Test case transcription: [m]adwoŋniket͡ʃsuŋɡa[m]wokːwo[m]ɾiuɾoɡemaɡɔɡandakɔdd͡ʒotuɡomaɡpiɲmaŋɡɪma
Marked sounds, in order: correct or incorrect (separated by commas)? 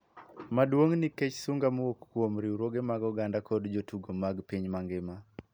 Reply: correct, correct, correct